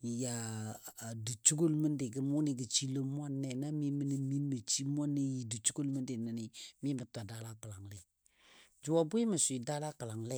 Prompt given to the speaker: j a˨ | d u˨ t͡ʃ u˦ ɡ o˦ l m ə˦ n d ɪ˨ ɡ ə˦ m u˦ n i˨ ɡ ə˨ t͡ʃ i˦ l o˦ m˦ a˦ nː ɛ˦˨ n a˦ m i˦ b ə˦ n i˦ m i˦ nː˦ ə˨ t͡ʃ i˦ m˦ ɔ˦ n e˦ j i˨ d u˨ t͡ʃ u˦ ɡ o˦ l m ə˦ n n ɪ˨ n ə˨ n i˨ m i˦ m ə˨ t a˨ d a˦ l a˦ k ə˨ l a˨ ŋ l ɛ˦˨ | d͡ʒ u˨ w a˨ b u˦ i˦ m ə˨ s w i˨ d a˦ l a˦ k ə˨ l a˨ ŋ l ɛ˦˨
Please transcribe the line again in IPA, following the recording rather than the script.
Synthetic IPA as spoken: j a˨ | d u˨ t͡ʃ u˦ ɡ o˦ l m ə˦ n d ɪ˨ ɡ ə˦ m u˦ n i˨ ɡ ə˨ t͡ʃ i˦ l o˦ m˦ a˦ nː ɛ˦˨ n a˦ m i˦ m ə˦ n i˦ m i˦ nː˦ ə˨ t͡ʃ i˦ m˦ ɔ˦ n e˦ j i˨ d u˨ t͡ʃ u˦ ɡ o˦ l m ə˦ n d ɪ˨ n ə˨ n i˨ m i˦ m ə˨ t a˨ d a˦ l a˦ k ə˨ l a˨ ŋ l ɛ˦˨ | d͡ʒ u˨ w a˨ b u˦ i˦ m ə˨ s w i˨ d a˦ l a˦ k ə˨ l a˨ ŋ l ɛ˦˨